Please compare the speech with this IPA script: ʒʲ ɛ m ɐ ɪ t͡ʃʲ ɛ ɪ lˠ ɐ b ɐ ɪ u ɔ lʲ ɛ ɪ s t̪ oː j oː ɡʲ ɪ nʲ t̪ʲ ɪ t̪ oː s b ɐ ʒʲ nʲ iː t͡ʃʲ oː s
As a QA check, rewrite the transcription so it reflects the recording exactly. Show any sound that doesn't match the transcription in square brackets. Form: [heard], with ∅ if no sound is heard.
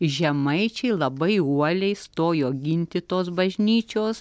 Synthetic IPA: ʒʲ ɛ m ɐ ɪ t͡ʃʲ ɛ ɪ lˠ ɐ b ɐ ɪ u ɔ lʲ ɛ ɪ s t̪ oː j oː ɡʲ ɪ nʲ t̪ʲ ɪ t̪ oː s b ɐ ʒʲ nʲ iː t͡ʃʲ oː s